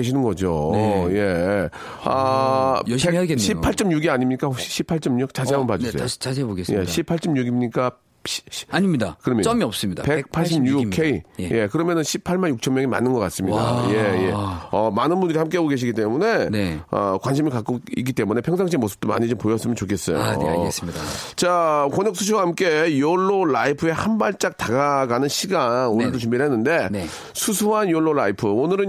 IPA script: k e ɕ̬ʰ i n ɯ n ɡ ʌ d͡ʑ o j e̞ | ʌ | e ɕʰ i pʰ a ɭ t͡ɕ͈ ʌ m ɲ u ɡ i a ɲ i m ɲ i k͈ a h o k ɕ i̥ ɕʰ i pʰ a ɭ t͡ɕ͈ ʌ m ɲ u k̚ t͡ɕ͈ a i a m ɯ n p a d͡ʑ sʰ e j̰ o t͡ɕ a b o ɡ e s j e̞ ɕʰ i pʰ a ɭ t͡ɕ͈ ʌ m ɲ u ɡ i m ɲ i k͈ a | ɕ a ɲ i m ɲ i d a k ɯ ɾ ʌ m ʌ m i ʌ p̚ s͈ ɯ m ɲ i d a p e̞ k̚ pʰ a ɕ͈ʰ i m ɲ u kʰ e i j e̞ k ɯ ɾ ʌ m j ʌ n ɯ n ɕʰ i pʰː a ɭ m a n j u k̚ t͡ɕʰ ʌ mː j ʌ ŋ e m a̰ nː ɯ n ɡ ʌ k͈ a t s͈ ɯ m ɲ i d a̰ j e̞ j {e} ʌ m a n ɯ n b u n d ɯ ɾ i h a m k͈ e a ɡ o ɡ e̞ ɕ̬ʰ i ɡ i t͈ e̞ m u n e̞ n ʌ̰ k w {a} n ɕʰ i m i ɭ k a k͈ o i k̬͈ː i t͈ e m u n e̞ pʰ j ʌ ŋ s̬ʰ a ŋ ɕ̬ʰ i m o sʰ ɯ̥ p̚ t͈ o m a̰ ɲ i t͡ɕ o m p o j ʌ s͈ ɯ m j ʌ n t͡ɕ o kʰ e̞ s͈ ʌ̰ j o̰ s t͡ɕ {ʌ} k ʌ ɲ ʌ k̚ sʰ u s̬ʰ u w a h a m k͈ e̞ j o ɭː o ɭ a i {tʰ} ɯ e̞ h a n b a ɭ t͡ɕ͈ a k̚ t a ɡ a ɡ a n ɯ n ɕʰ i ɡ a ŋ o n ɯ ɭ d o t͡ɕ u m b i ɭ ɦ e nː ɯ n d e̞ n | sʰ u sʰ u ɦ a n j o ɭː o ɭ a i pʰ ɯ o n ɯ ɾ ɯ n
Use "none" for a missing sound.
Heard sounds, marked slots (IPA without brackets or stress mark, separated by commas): e, a, a, pʰ